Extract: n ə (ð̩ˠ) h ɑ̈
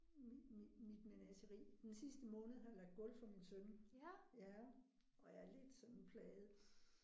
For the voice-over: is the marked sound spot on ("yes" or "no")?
yes